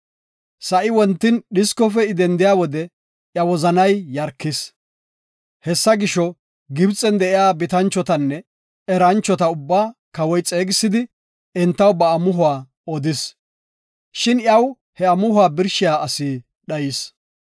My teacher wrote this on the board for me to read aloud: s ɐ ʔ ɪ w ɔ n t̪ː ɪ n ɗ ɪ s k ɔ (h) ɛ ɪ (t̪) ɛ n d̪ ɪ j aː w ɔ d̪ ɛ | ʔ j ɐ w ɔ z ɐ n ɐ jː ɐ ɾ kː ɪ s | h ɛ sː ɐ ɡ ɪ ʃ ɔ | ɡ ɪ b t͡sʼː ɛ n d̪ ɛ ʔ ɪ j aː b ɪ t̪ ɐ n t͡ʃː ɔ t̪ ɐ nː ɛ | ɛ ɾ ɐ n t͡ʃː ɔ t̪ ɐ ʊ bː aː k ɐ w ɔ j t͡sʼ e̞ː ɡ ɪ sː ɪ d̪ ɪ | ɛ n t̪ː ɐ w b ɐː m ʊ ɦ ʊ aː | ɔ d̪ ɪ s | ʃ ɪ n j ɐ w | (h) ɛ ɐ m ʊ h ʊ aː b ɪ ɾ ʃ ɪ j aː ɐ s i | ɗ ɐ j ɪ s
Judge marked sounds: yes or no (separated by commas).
no, no, yes